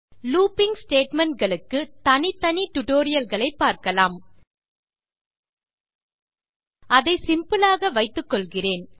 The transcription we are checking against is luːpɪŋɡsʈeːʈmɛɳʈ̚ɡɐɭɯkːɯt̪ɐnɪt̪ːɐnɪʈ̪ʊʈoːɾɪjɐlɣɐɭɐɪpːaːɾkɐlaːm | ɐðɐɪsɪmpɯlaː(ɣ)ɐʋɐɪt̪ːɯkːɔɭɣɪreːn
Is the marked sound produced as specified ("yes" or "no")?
yes